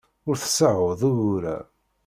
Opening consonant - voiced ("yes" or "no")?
yes